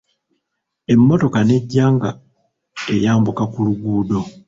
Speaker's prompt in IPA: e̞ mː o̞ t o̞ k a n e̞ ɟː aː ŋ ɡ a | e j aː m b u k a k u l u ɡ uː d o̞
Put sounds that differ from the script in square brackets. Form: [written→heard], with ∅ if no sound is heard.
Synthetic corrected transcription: e̞ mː o̞ t o̞ k a n e̞ ɟː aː ŋ ɡ a | e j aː m b u k a k u l u ɡ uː d o̞